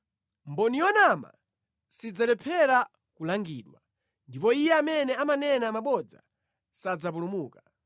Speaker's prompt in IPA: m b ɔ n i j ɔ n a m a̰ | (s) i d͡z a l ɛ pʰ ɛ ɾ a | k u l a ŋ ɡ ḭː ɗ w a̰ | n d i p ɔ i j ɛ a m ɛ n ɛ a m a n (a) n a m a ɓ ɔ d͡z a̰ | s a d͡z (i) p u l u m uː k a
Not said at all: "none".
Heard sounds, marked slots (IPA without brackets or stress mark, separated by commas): s, ɛ, a